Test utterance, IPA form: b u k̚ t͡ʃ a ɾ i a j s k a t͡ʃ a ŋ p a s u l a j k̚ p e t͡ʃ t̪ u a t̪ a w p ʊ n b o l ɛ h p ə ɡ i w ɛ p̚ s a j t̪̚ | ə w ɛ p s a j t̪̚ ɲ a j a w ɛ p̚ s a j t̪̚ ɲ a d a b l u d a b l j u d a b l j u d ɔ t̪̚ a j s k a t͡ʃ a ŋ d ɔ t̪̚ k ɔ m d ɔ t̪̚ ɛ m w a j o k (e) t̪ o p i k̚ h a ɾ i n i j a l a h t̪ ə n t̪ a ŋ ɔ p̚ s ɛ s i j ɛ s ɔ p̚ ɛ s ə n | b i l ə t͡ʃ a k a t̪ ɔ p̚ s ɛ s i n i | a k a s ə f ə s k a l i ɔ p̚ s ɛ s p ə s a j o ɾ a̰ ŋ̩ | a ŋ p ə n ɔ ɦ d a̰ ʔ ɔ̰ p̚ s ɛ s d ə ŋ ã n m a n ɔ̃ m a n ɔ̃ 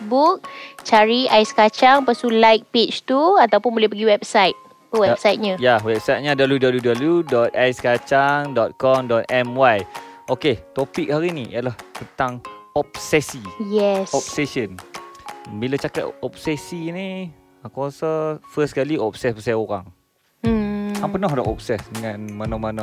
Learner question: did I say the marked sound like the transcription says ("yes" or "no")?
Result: yes